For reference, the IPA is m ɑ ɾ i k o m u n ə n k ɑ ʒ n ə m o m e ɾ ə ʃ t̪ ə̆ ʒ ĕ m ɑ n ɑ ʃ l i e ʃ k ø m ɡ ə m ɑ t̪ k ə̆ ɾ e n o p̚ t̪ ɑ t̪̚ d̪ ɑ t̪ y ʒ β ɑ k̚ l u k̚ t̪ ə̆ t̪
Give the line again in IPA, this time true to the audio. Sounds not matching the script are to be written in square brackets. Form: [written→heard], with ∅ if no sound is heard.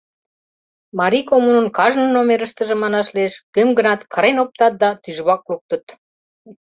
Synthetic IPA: m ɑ ɾ i k o m u n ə n k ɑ ʒ n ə [m→n] o m e ɾ ə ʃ t̪ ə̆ ʒ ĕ m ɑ n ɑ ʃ l i e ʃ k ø m ɡ ə [m→n] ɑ t̪ k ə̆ ɾ e n o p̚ t̪ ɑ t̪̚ d̪ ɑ t̪ y ʒ β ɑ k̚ l u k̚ t̪ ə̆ t̪